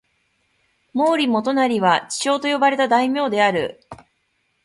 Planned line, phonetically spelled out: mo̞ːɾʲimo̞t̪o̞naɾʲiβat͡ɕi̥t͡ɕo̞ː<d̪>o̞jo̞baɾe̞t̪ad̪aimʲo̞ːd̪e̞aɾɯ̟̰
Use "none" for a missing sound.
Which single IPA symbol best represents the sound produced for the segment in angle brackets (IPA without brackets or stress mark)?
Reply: t̪